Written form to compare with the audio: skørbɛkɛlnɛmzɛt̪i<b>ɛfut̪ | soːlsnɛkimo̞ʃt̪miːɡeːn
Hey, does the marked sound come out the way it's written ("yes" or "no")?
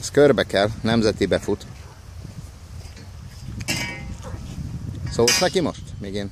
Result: yes